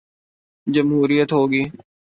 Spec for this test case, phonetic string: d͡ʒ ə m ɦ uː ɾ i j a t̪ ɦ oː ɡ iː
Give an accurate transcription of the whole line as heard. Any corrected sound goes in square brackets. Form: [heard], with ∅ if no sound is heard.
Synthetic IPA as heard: d͡ʒ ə m ɦ uː ɾ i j [ə] t̪ ɦ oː ɡ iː

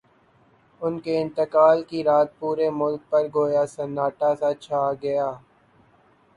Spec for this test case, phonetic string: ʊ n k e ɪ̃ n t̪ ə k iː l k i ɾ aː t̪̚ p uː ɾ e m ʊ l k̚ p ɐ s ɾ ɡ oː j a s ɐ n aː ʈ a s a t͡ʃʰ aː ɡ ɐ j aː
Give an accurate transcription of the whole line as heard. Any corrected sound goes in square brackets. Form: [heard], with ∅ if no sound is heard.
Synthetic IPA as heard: ʊ n k e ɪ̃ n t̪ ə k [aː] l k i ɾ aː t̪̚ p uː ɾ e m ʊ l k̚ p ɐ [∅] ɾ ɡ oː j a s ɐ n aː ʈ a s a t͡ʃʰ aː ɡ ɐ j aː

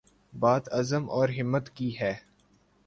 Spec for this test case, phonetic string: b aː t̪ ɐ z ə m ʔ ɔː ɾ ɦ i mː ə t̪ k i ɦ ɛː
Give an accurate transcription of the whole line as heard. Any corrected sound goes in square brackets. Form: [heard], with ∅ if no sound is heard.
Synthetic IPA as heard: b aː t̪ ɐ z ə m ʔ ɔː ɾ ɦ [ɪ] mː ə t̪ k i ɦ ɛː

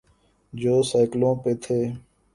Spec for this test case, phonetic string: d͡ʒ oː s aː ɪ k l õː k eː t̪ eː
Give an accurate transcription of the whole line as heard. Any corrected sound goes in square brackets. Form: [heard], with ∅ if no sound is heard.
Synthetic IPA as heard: d͡ʒ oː s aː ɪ k l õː [p] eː [t̪ʰ] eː

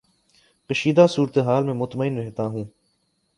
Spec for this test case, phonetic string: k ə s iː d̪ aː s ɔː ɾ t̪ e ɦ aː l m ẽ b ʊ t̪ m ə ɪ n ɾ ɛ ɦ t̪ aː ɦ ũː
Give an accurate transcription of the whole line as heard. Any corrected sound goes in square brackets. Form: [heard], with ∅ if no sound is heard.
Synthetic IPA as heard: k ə [ʃ] iː d̪ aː s [uː] ɾ t̪ e ɦ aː l m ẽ [m] ʊ t̪ m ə ɪ n ɾ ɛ ɦ t̪ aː ɦ ũː

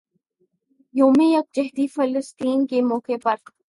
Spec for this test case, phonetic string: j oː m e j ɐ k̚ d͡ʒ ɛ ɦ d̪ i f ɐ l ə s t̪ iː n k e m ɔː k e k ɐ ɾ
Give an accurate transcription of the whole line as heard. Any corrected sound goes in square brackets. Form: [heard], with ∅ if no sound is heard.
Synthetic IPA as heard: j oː m e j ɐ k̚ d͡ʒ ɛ ɦ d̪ i f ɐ l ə s t̪ iː n k e m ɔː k e [p] ɐ ɾ

